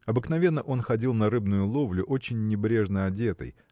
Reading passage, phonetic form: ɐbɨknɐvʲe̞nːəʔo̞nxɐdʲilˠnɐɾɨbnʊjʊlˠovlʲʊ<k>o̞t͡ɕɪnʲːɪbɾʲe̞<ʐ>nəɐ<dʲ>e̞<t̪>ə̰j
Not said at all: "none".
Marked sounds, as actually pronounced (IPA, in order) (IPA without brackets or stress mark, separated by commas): ʔ, ʐ, dʲ, t̪